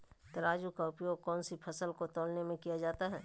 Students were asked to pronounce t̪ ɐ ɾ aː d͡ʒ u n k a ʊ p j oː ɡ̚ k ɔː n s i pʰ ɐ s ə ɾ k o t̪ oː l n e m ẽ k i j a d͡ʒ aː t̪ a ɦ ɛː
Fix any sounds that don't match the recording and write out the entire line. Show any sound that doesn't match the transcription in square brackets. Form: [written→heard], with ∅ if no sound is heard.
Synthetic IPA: t̪ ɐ ɾ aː d͡ʒ u [n→∅] k a ʊ p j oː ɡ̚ k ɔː n s i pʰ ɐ s ə [ɾ→l] k o t̪ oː l n e m ẽ k i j a d͡ʒ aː t̪ a ɦ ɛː